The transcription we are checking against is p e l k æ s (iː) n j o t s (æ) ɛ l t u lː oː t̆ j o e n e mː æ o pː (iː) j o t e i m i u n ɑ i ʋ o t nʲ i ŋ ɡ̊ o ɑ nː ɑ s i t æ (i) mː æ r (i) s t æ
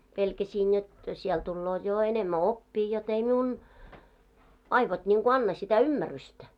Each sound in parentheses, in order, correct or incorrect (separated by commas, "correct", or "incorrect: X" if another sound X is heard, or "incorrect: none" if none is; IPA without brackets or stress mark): correct, incorrect: i, correct, incorrect: y, incorrect: y